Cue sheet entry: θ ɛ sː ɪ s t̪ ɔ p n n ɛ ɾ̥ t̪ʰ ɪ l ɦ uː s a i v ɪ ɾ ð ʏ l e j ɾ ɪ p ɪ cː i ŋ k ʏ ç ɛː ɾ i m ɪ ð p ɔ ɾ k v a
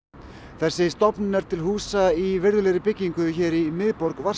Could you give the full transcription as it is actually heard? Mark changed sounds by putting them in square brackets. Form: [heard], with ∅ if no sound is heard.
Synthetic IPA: θ ɛ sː ɪ s t̪ ɔ p n n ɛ ɾ̥ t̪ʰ ɪ l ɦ uː s a i v ɪ ɾ ð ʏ l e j ɾ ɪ p ɪ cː i ŋ k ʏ ç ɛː ɾ i m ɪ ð p ɔ ɾ k v a